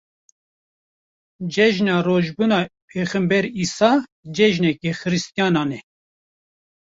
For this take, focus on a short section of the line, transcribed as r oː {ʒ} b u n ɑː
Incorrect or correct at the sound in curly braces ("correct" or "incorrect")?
correct